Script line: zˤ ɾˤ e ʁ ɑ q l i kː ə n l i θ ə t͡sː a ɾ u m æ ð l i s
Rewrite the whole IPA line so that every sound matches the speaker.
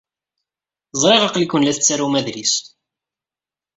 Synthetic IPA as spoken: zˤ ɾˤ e ʁ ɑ q l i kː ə n l æ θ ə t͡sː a ɾ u m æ ð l i s